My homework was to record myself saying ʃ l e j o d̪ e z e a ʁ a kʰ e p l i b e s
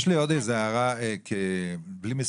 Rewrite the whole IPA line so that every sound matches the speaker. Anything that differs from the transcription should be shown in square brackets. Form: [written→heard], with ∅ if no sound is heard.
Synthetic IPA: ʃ l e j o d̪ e z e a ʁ a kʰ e [p→b] l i [b→m] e s

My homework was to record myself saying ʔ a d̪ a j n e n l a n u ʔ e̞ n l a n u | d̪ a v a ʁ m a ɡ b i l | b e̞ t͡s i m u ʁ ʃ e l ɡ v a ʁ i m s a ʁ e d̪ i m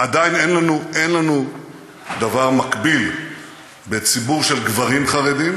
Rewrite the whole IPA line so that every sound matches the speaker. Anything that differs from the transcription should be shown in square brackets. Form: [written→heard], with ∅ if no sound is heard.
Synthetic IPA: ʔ a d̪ a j n e n l a n u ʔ e̞ n l a n u | d̪ a v a ʁ m a [ɡ→k] b i l | b e̞ t͡s i [m→b] u ʁ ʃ e l ɡ v a ʁ i m [s→χ] a ʁ e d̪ i m

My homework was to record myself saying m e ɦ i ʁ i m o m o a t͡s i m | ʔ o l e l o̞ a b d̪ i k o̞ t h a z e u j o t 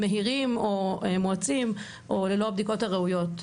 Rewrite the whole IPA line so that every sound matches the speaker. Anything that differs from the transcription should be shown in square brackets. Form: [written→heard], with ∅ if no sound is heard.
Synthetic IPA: m e ɦ i ʁ i m o m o a t͡s i m | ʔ o l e l o̞ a b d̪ i k o̞ t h a [z→ʁ] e u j o t

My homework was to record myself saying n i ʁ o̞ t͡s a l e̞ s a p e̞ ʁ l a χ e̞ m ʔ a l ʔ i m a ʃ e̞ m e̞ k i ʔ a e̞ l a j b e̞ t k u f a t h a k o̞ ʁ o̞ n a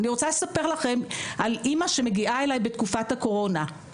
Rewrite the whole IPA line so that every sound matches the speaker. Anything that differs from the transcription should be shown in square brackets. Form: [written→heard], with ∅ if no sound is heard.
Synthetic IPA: n i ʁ o̞ t͡s a l e̞ s a p e̞ ʁ l a χ e̞ m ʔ a l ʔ i m a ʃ e̞ m e̞ [k→ɡ] i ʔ a e̞ l a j b e̞ t k u f a t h a k o̞ ʁ o̞ n a

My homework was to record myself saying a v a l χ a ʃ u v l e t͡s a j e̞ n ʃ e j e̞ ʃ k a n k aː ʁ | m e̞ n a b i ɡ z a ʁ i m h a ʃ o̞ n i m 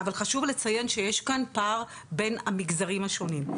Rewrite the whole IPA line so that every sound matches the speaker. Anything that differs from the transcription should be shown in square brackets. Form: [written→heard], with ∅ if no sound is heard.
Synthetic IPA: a v a l χ a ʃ u v l e t͡s a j e̞ n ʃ e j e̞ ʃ k a n [k→p] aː ʁ | [m→b] e̞ n a [b→m] i ɡ z a ʁ i m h a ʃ o̞ n i m

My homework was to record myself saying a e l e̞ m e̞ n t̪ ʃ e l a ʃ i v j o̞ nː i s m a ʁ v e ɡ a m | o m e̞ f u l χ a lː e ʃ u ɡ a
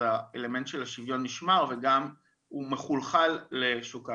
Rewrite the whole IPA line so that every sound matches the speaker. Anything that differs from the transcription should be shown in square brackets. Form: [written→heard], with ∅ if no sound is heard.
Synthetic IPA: a e l e̞ m e̞ n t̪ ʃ e l a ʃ i v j o̞ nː i [s→ʃ] m a ʁ v e ɡ a m | [o→u] m e̞ [f→χ] u l χ a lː e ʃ u [ɡ→k] a

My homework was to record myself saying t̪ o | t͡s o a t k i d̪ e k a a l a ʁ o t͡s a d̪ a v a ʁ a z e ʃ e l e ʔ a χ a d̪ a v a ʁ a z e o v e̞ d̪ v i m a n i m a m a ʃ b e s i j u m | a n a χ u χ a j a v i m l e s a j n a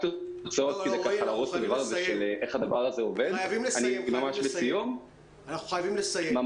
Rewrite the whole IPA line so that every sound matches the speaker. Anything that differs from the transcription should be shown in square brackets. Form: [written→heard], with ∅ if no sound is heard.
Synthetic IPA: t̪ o | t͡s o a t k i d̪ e k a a l a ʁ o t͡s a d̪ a v a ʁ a z e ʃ e l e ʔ [a→e] χ a d̪ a v a ʁ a z e o v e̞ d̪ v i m a n i m a m a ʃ b e s i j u m | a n a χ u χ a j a v i m l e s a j [n→m] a

